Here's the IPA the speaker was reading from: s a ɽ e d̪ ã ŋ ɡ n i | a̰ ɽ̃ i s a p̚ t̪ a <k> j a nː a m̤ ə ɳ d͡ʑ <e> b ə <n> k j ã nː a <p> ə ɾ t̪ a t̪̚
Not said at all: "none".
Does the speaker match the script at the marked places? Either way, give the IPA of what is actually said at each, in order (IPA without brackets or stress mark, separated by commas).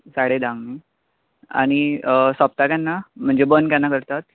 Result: k, e, n, k